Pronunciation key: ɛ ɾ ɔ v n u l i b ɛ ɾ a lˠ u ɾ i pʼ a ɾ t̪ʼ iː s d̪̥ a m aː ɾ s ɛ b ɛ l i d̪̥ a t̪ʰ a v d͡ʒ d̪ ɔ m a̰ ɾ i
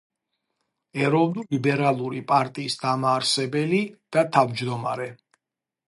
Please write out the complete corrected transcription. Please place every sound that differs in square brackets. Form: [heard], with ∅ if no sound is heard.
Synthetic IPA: ɛ ɾ ɔ v n u l i b ɛ ɾ a lˠ u ɾ i pʼ a ɾ t̪ʼ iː s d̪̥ a m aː ɾ s ɛ b ɛ l i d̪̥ a t̪ʰ a v d͡ʒ d̪ ɔ m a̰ ɾ [ɛ]